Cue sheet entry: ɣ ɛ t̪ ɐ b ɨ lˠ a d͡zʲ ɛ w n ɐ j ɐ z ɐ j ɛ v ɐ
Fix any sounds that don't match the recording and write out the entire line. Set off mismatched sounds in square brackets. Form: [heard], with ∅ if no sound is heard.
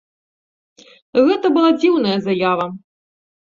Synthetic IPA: ɣ ɛ t̪ ɐ b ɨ lˠ a d͡zʲ [i] w n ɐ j ɐ z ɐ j [a] v ɐ